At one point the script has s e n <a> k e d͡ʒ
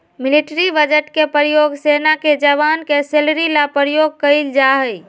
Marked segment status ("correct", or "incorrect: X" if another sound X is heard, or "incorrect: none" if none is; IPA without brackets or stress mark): correct